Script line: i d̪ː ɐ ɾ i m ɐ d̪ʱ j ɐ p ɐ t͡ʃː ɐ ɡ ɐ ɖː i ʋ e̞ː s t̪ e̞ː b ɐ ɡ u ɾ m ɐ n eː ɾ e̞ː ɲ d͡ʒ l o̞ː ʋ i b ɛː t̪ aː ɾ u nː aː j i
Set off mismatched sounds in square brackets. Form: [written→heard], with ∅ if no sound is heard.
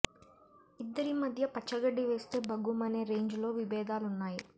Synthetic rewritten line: i d̪ː ɐ ɾ i m ɐ d̪ʱ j ɐ p ɐ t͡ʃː ɐ ɡ ɐ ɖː i ʋ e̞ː s t̪ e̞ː b ɐ ɡ u [ɾ→∅] m ɐ n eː ɾ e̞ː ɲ d͡ʒ l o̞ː ʋ i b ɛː [t̪→d̪] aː [ɾ→l] u nː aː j i